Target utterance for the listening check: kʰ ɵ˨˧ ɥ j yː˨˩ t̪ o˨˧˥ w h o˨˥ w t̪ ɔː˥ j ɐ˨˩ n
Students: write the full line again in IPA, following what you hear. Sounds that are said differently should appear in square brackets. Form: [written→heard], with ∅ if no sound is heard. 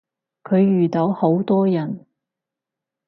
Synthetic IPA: kʰ ɵ˨˧ ɥ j yː˨˩ t̪ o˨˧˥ w h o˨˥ w t̪ ɔː˥ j ɐ˨˩ n